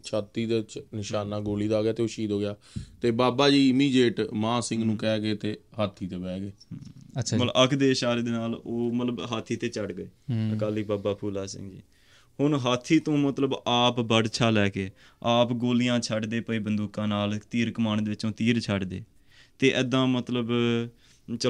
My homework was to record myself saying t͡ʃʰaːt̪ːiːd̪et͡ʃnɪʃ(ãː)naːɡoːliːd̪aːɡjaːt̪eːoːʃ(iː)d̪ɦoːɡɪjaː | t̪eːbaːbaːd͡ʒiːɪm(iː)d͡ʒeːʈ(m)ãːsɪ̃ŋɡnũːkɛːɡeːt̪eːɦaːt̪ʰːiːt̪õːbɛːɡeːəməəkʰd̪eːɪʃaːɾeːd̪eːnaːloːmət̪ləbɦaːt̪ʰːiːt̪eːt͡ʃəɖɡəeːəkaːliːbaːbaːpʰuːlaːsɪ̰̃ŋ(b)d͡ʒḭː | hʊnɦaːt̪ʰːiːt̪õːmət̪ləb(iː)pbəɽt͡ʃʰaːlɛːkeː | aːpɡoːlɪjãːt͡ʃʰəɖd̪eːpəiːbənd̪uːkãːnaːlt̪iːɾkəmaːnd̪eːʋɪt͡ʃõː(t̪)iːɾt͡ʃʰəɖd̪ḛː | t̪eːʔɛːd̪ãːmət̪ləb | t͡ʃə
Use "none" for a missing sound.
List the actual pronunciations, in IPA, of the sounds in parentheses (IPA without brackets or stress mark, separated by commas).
aː, iː, iː, m, ɡ, aː, t̪